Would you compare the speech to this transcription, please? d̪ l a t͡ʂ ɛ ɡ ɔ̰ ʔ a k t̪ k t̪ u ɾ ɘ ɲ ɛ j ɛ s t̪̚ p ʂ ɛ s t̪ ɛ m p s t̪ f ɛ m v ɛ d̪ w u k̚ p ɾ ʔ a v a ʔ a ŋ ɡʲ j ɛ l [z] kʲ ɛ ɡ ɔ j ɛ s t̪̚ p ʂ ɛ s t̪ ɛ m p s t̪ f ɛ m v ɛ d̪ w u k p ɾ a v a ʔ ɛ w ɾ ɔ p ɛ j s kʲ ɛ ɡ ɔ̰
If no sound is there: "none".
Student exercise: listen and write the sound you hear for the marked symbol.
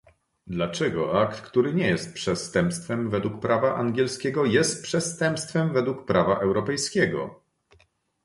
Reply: s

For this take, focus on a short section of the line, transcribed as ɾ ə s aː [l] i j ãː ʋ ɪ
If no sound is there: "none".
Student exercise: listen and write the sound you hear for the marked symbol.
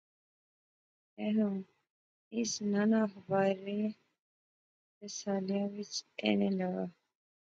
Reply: l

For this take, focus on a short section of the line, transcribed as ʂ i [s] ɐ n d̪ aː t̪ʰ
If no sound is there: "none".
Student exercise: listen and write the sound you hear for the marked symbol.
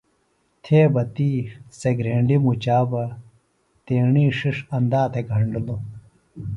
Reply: ʂ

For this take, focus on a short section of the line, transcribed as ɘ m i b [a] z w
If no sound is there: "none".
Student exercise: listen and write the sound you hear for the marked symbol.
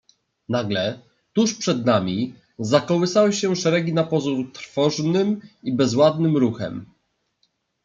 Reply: ɛ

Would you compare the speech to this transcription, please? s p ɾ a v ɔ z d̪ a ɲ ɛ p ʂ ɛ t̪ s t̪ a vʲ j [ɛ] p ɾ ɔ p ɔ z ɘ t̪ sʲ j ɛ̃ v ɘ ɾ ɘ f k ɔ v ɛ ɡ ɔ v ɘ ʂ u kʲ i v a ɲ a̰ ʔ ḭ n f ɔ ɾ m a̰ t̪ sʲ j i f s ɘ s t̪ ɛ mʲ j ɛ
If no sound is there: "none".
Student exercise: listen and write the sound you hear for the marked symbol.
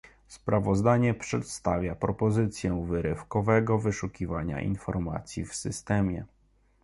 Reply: a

